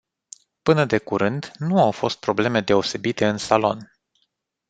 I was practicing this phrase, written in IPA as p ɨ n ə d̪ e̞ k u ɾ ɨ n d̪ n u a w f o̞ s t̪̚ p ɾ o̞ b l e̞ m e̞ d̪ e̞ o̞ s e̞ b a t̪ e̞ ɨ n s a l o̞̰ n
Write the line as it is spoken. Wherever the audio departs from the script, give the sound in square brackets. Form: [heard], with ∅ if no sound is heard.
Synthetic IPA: p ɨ n ə d̪ e̞ k u ɾ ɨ n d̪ n u a w f o̞ s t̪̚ p ɾ o̞ b l e̞ m e̞ d̪ e̞ o̞ s e̞ b [i] t̪ e̞ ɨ n s a l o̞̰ n